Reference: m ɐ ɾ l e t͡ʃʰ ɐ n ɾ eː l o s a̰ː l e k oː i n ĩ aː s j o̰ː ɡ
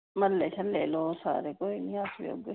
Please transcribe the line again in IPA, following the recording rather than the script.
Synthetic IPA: m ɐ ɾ l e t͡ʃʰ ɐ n l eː l o s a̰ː ɾ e k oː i n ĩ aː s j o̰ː ɡ